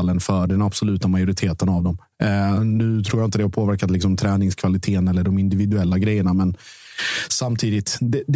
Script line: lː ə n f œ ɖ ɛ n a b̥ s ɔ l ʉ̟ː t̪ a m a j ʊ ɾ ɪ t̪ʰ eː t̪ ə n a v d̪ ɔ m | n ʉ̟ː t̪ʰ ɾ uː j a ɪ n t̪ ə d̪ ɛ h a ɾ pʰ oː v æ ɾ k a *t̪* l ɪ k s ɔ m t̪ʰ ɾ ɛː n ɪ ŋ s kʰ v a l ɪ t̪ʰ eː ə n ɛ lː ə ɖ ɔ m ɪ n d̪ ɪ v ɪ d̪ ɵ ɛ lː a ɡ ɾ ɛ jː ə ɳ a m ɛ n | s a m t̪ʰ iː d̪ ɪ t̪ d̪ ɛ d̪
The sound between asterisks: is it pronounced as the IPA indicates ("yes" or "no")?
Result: yes